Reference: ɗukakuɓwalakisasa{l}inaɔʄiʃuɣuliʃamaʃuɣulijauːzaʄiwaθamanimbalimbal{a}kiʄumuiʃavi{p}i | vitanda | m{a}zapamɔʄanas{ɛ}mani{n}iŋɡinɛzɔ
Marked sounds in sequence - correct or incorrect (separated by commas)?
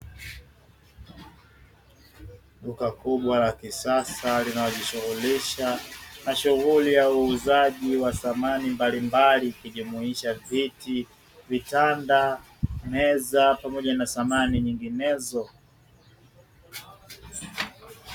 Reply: correct, incorrect, incorrect, incorrect, incorrect, incorrect